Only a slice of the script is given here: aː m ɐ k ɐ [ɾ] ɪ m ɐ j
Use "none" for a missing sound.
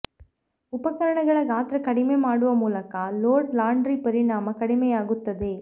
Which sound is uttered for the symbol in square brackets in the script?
ɽ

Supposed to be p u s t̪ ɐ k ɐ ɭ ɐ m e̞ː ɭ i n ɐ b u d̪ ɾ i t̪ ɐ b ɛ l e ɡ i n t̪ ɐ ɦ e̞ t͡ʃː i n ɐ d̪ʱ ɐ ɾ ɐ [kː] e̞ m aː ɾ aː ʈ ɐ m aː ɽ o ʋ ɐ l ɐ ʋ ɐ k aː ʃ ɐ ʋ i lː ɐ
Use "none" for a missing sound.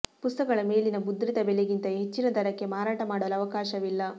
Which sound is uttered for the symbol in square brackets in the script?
kː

